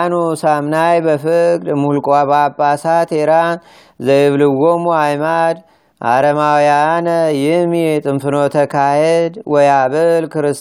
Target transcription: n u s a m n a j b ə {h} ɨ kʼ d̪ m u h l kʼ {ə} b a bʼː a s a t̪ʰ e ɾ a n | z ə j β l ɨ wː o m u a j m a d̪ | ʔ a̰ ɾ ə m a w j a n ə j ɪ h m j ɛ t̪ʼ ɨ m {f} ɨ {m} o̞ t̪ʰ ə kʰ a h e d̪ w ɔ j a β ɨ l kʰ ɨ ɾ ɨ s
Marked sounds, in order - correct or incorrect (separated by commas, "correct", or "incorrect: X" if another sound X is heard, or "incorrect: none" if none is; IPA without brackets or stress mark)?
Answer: incorrect: f, incorrect: a, correct, incorrect: n